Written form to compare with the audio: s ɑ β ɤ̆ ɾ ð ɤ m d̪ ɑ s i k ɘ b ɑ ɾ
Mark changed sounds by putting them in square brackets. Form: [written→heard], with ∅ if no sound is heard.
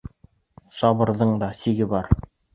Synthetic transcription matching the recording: s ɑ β ɤ̆ ɾ ð ɤ [m→ɴ] d̪ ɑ s i [k→ɡ] ɘ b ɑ ɾ